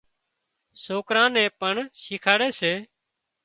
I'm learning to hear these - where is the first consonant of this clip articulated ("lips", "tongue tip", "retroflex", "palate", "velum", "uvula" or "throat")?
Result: tongue tip